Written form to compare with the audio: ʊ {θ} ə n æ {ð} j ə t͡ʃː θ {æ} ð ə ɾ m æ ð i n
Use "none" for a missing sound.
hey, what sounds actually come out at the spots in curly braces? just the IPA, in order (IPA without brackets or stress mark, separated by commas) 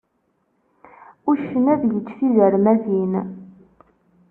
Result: ʃ, ð, i